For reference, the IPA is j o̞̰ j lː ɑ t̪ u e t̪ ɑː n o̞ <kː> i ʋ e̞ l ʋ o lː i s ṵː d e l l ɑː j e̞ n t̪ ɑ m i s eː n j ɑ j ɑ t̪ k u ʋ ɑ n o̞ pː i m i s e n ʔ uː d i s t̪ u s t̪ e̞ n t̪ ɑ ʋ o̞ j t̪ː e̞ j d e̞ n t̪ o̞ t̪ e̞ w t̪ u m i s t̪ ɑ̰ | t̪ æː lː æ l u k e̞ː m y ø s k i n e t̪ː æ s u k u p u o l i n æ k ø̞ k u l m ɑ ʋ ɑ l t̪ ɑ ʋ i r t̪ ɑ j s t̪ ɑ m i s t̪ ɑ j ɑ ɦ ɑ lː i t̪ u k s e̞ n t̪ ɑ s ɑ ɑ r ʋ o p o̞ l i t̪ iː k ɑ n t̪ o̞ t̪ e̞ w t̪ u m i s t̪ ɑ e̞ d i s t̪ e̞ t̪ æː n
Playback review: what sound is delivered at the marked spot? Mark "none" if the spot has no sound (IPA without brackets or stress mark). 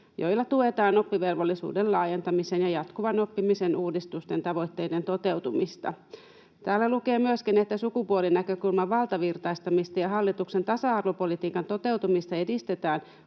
pː